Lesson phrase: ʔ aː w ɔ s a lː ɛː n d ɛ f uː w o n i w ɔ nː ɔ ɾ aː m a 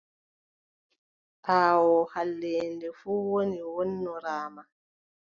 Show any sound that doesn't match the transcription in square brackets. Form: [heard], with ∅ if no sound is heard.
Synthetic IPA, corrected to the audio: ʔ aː w ɔ [h] a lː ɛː n d ɛ f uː w o n i w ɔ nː ɔ ɾ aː m a